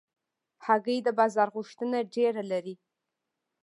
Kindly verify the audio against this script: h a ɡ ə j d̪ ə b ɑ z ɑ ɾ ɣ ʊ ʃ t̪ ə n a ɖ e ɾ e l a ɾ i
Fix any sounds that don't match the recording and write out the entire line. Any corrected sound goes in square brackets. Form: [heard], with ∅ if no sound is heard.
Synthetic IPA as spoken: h a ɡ ə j d̪ ə b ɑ z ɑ ɾ ɣ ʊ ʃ t̪ ə n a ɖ e ɾ [a] l a ɾ i